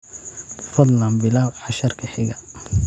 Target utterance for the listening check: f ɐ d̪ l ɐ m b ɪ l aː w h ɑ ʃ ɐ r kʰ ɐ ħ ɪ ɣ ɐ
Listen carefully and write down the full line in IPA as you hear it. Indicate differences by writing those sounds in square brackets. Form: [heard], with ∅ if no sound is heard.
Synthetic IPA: f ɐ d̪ l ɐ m b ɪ l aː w [ħ] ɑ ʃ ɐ r kʰ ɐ ħ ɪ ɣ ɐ